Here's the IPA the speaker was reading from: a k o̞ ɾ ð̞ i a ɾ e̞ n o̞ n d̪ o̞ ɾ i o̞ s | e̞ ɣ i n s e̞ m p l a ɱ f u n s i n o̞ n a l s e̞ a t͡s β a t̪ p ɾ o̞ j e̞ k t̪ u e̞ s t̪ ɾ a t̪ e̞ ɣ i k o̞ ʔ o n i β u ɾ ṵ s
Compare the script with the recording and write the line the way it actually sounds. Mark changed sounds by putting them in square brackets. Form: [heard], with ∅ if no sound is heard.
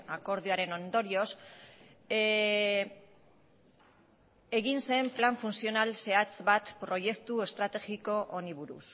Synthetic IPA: a k o̞ ɾ ð̞ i a ɾ e̞ n o̞ n d̪ o̞ ɾ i o̞ s | e̞ ɣ i n s e̞ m p l a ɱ f u n s i [∅] o̞ n a l s e̞ a t͡s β a t̪ p ɾ o̞ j e̞ k t̪ u e̞ s t̪ ɾ a t̪ e̞ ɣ i k o̞ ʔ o n i β u ɾ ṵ s